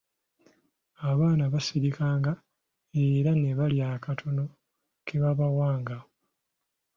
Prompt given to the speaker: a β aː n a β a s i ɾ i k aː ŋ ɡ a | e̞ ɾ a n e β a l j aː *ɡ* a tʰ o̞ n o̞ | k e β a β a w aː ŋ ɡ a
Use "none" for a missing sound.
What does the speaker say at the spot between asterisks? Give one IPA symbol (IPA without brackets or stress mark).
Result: k